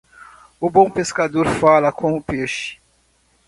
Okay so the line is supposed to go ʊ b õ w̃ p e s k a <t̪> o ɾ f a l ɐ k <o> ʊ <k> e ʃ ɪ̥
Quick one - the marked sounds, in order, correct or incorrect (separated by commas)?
incorrect, incorrect, incorrect